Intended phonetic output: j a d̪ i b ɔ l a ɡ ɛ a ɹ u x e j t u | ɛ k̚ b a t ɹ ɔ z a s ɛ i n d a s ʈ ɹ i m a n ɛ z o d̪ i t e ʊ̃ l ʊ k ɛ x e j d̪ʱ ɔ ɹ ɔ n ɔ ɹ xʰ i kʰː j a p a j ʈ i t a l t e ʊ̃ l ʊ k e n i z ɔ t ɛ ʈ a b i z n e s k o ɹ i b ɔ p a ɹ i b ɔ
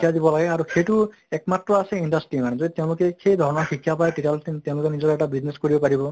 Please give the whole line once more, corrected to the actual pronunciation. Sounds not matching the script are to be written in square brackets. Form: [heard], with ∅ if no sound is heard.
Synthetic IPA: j a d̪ i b ɔ l a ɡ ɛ a ɹ u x e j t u | ɛ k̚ [m] a t ɹ ɔ [∅] a s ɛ i n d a s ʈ ɹ i m a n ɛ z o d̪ i t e ʊ̃ l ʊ k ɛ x e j d̪ʱ ɔ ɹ ɔ n ɔ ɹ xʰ i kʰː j a p a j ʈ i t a l t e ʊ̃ l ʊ k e n i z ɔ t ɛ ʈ a b i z n e s k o ɹ i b ɔ p a ɹ i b ɔ